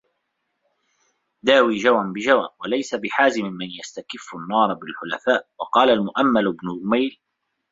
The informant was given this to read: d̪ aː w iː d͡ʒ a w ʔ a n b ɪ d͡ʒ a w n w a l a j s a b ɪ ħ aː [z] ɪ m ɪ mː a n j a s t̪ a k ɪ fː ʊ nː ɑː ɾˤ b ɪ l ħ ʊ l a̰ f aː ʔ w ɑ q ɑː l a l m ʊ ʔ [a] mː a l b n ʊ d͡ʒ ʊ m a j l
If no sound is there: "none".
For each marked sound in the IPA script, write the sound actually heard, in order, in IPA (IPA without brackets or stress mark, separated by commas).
z, a